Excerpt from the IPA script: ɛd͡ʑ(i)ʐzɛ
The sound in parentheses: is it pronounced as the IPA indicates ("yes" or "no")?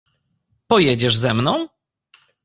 no